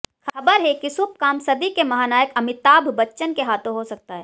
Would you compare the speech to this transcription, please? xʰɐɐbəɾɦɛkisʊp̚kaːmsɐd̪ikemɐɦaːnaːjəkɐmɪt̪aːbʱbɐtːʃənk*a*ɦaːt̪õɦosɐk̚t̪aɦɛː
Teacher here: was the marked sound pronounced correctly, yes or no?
no